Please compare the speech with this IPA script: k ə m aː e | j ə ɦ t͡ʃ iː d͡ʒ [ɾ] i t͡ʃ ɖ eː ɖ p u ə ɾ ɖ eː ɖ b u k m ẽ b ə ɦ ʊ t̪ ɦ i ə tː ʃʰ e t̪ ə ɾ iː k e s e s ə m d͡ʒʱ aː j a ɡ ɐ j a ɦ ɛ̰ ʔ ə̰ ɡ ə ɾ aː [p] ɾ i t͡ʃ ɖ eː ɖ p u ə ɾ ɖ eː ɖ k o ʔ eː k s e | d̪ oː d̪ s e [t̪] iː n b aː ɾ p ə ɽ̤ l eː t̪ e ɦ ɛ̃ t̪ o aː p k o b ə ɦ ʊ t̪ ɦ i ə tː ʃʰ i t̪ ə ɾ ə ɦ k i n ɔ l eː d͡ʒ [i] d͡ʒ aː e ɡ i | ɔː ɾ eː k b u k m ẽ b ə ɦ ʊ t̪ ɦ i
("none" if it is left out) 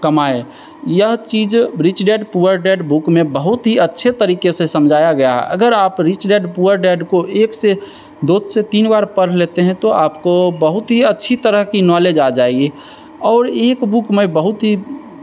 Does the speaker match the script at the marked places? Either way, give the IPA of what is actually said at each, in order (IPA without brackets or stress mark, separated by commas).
ɾ, p, t̪, a